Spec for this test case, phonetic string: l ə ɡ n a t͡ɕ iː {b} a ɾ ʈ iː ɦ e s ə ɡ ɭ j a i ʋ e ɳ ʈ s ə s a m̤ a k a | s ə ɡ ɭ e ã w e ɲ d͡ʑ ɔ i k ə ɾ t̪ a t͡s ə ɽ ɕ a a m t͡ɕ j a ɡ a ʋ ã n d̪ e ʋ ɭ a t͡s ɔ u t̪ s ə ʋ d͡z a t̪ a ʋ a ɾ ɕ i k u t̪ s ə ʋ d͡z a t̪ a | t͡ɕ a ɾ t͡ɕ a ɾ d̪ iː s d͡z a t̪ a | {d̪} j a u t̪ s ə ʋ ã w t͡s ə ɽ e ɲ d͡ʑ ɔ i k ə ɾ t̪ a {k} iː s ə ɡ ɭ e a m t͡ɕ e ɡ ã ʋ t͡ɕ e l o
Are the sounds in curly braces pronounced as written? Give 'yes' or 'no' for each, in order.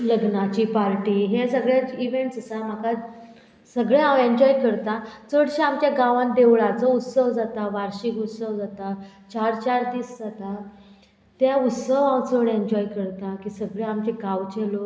no, no, yes

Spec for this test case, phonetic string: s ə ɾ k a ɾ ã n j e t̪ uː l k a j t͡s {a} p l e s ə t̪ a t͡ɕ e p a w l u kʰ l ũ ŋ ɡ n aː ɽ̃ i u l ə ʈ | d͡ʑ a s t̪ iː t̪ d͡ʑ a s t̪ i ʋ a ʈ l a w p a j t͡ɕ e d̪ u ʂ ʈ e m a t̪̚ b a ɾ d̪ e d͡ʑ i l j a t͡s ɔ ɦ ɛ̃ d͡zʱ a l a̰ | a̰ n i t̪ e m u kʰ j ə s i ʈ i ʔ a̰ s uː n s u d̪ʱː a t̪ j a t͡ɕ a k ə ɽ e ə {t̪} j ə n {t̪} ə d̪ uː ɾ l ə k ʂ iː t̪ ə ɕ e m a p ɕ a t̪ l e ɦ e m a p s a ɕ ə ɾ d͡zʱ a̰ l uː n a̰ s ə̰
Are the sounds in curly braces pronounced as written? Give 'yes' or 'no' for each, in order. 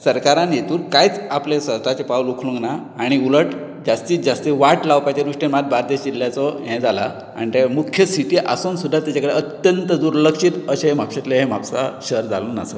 yes, yes, yes

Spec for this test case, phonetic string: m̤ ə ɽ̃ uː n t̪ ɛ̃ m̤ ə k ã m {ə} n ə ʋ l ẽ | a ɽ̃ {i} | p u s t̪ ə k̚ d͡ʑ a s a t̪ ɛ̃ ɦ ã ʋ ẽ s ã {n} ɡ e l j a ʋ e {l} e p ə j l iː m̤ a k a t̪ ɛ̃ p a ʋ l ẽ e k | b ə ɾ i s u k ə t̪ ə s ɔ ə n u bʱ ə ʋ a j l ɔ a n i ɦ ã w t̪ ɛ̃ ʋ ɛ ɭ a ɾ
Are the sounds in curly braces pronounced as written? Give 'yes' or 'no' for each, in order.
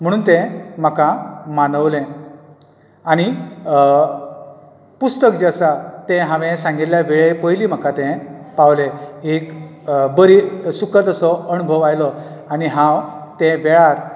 no, yes, no, no

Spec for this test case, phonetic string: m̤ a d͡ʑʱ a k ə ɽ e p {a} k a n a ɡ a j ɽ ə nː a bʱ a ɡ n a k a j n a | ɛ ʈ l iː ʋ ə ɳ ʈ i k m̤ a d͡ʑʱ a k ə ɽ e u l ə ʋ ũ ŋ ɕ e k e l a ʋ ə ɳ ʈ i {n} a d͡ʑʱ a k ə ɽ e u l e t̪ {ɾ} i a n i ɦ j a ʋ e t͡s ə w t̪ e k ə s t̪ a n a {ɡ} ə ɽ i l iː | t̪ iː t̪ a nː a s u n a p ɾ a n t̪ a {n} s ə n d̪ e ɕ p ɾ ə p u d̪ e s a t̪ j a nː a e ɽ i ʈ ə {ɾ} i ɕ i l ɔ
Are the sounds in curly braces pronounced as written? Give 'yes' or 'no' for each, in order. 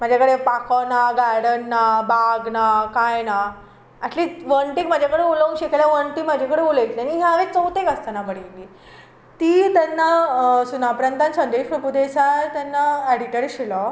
yes, no, no, no, yes, yes

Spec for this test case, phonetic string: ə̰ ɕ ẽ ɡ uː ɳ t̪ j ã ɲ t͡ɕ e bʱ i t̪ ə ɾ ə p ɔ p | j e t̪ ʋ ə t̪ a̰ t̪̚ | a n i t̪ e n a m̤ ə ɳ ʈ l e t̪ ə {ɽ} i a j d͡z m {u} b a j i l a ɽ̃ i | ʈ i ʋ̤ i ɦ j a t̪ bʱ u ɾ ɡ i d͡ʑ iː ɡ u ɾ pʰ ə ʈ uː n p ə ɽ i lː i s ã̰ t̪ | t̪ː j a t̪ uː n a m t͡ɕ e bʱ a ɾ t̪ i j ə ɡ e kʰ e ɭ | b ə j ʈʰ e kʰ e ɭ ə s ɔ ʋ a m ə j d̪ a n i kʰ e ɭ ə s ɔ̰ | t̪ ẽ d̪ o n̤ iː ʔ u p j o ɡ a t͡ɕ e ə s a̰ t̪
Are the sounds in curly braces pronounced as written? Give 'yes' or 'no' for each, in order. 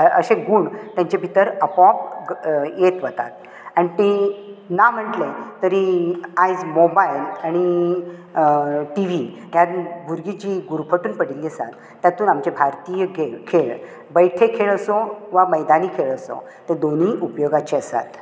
no, no

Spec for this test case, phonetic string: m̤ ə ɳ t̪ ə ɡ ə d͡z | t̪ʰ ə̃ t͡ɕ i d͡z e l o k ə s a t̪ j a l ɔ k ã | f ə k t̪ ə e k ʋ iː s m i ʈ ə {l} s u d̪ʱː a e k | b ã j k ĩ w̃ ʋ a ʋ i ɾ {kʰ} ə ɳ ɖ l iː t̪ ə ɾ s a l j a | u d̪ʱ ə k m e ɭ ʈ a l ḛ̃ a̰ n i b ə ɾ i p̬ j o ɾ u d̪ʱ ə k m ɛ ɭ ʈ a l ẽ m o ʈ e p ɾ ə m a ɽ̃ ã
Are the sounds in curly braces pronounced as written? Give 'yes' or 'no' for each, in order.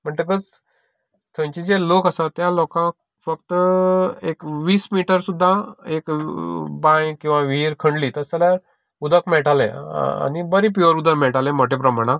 no, yes

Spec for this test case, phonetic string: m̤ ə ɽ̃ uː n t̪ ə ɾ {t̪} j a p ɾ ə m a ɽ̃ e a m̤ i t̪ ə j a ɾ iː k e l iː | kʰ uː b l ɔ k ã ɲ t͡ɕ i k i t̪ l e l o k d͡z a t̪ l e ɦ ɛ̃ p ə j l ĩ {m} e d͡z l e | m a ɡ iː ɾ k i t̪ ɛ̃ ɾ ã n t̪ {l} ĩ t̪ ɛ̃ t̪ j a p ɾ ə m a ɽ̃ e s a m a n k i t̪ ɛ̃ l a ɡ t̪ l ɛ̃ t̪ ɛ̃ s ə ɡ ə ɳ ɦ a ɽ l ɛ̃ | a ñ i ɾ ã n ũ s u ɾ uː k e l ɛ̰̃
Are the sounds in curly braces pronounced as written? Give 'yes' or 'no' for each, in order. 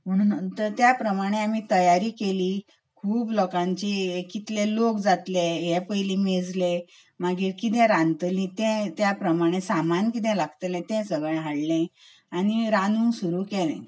yes, yes, yes

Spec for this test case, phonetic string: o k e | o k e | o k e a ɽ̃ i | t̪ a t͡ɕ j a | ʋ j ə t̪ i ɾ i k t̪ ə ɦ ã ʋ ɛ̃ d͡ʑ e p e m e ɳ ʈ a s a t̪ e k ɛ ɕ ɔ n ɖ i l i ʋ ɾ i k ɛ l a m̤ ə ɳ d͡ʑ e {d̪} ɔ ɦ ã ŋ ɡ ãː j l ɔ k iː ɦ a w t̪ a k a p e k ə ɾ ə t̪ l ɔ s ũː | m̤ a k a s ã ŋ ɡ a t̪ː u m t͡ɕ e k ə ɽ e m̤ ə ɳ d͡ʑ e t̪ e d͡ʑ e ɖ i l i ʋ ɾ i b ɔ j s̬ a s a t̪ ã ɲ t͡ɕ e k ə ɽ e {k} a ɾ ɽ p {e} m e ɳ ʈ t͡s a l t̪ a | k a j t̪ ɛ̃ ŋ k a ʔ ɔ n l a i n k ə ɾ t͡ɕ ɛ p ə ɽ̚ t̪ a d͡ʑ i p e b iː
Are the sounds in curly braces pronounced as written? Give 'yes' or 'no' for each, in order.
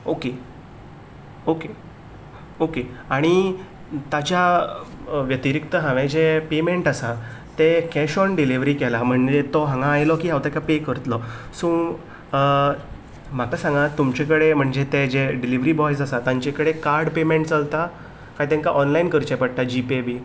no, yes, yes

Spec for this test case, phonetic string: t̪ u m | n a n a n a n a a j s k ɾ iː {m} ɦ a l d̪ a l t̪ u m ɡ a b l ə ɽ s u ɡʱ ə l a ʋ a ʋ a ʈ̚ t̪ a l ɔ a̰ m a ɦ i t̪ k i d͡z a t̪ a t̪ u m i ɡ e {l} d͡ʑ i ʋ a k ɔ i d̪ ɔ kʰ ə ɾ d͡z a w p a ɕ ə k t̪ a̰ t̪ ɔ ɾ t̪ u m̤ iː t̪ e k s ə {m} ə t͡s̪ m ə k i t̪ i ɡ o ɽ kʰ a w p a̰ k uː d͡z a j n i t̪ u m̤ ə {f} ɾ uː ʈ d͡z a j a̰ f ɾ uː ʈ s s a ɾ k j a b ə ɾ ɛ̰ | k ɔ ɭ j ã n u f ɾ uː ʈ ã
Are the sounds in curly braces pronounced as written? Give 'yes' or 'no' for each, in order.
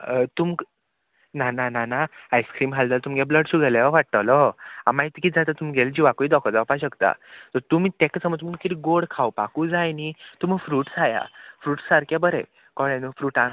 yes, yes, yes, yes

